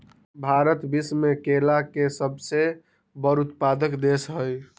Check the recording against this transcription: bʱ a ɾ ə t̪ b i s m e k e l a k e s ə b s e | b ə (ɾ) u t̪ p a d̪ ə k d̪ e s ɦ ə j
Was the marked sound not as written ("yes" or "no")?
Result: no